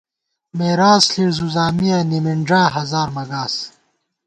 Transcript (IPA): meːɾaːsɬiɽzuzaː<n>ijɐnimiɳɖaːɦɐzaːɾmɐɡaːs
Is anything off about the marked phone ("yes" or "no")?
yes